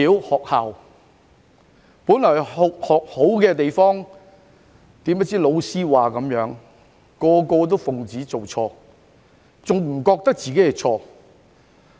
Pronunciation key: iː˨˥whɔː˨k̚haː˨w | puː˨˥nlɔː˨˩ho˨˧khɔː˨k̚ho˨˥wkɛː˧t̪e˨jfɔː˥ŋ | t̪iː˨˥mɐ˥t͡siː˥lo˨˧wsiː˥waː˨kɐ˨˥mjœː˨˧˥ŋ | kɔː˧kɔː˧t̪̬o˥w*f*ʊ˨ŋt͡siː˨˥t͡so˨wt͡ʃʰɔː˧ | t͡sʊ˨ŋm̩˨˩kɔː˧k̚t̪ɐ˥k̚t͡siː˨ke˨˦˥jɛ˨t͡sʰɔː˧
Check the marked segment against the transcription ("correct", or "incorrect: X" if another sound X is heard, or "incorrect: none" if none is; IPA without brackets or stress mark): correct